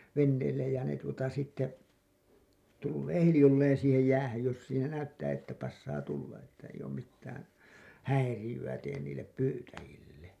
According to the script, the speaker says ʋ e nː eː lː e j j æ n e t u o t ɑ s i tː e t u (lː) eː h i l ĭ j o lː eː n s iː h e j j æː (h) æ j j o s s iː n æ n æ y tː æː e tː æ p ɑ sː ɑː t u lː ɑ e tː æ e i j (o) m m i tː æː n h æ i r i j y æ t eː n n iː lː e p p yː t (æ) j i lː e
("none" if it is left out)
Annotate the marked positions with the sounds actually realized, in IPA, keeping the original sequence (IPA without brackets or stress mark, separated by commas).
lː, h, oː, æ